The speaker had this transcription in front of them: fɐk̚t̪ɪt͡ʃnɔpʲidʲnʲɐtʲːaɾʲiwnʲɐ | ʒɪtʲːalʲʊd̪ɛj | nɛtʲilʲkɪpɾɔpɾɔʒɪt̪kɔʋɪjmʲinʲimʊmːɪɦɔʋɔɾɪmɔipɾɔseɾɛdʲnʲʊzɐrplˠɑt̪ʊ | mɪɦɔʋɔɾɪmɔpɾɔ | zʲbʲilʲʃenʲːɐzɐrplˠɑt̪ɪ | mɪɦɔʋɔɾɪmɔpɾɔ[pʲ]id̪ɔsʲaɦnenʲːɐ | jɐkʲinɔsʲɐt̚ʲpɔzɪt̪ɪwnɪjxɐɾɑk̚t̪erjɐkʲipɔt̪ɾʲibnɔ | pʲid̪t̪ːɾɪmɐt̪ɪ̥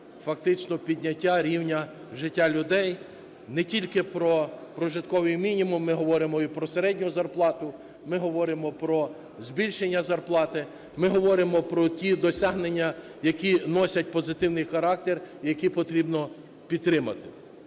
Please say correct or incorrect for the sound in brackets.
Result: incorrect: tʲ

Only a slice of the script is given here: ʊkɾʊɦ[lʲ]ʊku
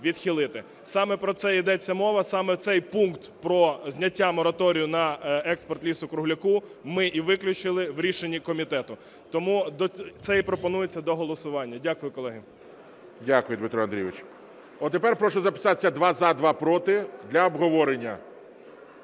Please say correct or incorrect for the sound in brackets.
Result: correct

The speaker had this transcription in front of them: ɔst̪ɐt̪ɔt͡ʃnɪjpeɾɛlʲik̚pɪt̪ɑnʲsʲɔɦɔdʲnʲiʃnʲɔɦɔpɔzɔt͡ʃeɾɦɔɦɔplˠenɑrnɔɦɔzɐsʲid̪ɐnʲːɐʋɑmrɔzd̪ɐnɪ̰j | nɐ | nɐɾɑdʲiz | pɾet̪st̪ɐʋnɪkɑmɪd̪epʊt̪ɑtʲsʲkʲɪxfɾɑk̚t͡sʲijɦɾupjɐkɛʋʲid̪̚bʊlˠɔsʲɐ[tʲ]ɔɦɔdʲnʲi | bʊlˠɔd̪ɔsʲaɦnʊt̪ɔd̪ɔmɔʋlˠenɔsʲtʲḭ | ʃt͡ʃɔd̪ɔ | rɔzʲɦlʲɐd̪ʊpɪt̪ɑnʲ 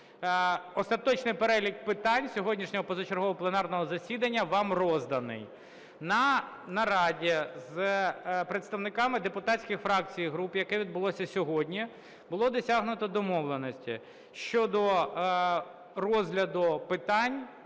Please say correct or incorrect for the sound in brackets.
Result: incorrect: sʲ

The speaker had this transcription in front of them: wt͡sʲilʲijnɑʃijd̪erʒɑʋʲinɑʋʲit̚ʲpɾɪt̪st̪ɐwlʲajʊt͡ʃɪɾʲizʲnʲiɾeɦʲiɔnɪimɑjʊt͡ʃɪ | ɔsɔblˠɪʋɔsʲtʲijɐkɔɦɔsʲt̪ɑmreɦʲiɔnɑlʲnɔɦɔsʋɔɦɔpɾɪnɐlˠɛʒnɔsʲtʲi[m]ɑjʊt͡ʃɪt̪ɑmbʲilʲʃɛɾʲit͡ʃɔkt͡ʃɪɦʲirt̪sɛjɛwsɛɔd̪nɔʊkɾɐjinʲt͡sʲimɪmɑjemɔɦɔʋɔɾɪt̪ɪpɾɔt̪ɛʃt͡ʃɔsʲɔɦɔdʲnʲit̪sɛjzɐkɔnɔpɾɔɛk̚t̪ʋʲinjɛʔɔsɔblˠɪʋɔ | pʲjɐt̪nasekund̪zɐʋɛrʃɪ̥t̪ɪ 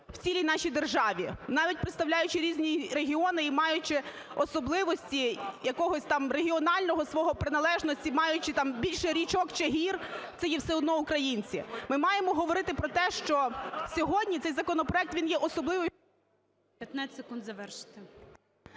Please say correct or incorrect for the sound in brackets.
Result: correct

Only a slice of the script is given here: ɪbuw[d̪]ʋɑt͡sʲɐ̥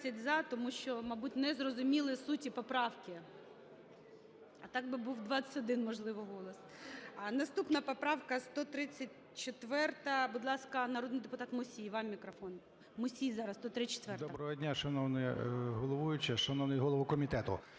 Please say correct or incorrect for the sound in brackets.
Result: correct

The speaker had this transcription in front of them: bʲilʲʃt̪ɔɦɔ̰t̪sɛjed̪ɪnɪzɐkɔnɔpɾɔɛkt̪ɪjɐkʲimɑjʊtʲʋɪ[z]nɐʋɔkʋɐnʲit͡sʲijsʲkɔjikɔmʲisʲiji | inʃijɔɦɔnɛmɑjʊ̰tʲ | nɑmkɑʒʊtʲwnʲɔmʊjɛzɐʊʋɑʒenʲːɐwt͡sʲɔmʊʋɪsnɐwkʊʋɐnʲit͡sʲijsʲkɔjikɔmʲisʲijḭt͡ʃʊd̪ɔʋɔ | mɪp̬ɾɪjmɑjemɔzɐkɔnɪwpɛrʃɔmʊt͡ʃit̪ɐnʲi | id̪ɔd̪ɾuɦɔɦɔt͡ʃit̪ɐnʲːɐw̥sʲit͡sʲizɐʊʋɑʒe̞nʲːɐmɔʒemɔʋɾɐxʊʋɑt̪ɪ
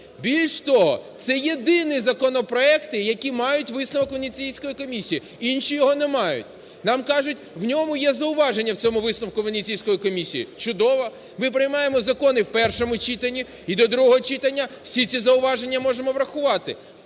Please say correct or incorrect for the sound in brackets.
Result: incorrect: s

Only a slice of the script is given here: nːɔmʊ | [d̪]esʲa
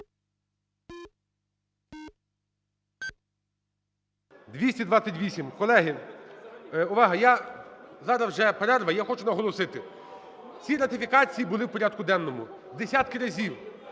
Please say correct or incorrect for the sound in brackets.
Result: correct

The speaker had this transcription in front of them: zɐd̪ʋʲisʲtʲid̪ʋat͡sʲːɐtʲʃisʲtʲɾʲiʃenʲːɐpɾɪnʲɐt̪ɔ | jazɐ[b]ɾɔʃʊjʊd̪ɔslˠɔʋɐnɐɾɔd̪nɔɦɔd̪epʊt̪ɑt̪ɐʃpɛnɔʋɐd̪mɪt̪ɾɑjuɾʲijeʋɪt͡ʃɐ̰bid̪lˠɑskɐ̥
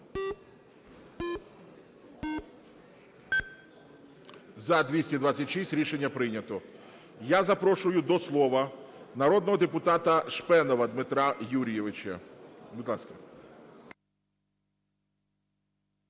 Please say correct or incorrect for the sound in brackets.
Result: incorrect: p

